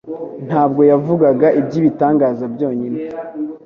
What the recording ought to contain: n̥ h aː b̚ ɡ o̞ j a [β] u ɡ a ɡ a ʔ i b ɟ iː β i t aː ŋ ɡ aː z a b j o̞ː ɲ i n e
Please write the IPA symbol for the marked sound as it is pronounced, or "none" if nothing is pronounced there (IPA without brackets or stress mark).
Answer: v